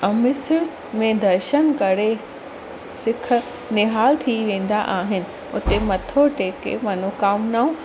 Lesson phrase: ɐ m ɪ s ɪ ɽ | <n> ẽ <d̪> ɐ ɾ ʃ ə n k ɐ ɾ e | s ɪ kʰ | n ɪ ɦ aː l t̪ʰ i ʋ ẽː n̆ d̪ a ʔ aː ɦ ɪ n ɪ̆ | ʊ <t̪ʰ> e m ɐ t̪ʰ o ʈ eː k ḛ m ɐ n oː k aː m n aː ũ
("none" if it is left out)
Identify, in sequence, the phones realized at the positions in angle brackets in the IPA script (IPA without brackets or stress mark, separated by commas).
m, d̪, t̪